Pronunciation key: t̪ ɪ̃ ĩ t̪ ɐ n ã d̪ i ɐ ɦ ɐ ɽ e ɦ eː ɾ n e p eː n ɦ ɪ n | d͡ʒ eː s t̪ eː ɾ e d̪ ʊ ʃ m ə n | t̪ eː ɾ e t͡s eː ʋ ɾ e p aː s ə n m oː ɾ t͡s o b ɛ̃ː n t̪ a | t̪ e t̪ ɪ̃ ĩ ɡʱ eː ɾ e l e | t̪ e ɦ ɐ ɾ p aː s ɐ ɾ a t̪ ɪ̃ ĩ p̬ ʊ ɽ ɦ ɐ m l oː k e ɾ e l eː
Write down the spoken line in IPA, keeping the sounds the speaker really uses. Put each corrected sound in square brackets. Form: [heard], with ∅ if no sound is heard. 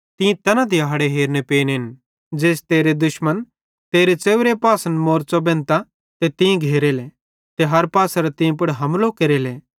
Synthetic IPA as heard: t̪ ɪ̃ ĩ t̪ ɐ n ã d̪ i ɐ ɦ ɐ ɽ e ɦ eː ɾ n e p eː n ɦ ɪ n | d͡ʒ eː s t̪ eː ɾ e d̪ ʊ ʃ m ə n | t̪ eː ɾ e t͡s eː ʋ ɾ e p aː s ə n m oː ɾ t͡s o b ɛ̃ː n t̪ a | t̪ e t̪ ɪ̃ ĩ ɡʱ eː ɾ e l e | t̪ e ɦ ɐ ɾ p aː s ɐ ɾ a t̪ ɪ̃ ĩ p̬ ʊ ɽ ɦ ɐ m l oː k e ɾ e l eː